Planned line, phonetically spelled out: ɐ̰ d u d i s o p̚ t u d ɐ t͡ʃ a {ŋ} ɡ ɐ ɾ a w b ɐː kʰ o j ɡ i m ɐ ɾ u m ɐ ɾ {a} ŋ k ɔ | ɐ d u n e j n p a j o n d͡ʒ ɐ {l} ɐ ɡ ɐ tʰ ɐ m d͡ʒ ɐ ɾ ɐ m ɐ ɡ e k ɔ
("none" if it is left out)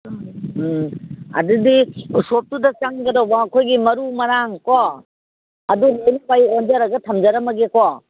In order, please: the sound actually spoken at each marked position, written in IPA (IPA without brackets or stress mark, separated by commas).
ŋ, a, ɾ